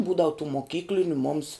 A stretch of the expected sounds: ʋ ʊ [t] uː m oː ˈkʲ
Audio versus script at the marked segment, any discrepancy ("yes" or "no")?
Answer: no